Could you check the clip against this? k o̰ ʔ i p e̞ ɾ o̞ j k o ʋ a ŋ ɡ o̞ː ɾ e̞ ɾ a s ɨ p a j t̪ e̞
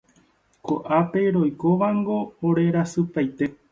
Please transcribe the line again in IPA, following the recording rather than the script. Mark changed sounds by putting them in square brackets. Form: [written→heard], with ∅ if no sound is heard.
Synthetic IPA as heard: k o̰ ʔ [i→a] p e̞ ɾ o̞ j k o ʋ a ŋ ɡ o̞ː ɾ e̞ ɾ a s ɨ p a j t̪ e̞